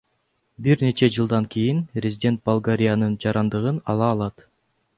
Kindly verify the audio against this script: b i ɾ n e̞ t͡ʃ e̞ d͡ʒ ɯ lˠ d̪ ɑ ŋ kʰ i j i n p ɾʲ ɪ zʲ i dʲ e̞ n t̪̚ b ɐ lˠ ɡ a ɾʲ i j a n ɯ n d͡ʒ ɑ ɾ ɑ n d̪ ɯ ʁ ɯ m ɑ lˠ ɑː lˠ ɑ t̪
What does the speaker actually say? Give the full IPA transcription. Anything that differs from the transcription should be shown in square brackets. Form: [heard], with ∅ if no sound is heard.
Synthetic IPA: b i ɾ n e̞ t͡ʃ e̞ d͡ʒ ɯ lˠ d̪ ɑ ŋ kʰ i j i n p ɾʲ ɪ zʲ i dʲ e̞ n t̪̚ b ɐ lˠ ɡ a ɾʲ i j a n ɯ n d͡ʒ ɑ ɾ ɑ n d̪ ɯ ʁ ɯ [n] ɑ lˠ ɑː lˠ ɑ t̪